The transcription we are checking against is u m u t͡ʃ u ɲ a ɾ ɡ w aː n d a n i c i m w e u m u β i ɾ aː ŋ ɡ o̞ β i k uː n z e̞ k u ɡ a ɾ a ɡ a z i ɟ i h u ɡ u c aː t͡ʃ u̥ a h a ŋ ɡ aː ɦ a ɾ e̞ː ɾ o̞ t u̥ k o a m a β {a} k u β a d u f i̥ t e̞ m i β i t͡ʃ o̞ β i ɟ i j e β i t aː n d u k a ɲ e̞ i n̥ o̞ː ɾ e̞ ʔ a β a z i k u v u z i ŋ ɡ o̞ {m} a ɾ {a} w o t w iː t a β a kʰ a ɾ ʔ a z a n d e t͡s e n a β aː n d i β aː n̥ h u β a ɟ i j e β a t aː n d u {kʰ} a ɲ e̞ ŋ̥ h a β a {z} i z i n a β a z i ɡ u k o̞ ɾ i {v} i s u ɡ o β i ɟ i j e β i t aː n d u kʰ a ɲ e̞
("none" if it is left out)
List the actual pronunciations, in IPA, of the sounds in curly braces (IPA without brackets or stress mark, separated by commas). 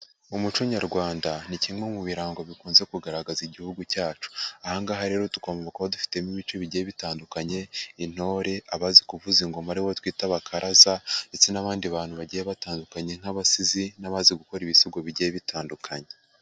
a, m, i, k, s, β